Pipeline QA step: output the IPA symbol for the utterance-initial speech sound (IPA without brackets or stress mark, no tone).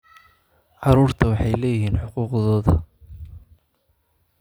ʕ